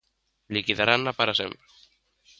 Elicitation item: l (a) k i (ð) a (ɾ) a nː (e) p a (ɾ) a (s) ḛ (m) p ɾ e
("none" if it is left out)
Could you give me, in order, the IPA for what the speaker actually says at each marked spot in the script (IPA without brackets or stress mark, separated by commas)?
i, ð, ɾ, a, ɾ, s, m